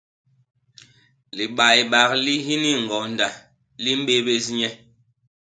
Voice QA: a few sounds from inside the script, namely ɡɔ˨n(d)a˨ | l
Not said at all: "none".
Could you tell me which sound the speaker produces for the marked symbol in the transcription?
d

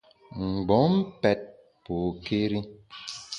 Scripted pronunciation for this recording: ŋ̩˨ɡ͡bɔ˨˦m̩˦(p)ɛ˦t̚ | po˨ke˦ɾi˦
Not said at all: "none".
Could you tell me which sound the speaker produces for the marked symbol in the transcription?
p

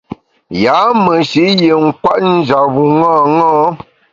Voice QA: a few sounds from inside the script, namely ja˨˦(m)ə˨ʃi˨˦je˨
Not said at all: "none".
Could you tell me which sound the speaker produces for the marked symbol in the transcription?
m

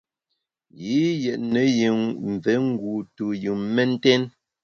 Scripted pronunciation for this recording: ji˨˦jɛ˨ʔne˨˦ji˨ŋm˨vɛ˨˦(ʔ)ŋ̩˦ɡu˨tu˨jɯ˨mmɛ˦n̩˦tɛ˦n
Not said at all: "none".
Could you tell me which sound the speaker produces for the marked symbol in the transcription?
none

